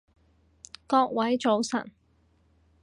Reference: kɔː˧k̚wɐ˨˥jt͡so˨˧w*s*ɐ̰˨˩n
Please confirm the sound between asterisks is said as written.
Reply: yes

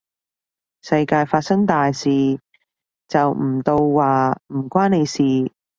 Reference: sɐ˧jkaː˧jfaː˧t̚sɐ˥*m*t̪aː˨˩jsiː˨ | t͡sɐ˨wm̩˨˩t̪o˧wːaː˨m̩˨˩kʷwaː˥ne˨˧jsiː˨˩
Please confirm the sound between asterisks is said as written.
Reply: no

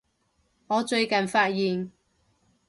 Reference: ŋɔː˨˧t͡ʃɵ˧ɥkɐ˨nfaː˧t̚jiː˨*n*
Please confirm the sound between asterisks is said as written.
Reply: yes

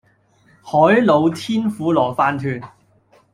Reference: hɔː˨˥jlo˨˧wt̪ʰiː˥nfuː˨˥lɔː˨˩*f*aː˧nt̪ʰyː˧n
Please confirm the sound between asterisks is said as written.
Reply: yes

